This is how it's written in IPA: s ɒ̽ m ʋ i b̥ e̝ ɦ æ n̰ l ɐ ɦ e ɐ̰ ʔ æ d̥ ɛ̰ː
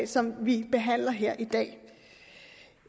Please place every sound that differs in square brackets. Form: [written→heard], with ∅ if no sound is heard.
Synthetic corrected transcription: s ɒ̽ m ʋ i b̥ e̝ ɦ æ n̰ l ɐ ɦ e ɐ̰ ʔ [æ→i] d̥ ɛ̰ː